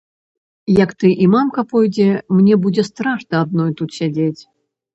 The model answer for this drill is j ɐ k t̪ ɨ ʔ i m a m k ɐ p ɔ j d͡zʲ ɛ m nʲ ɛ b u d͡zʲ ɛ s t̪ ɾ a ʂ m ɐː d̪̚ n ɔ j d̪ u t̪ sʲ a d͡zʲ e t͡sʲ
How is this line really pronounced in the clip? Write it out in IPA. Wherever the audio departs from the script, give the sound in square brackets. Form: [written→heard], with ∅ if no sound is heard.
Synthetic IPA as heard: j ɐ k t̪ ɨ ʔ i m a m k ɐ p ɔ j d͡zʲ ɛ m nʲ ɛ b u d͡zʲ ɛ s t̪ ɾ a ʂ [m→n] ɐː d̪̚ n ɔ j [d̪→t̪] u t̪ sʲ a d͡zʲ e t͡sʲ